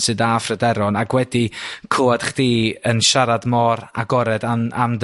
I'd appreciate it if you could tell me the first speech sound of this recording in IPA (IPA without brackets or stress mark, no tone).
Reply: s